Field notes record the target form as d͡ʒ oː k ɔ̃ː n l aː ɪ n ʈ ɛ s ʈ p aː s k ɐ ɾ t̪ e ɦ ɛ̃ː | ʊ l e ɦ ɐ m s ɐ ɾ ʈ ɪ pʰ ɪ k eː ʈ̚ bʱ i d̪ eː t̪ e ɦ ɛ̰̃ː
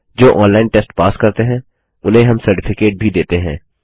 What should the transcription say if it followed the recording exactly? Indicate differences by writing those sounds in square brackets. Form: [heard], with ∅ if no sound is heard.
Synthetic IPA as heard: d͡ʒ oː [ʔ] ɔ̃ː n l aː ɪ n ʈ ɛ s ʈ p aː s k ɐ ɾ t̪ e ɦ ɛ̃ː | ʊ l e ɦ ɐ m s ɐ ɾ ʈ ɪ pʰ ɪ k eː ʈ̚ bʱ i d̪ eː t̪ e ɦ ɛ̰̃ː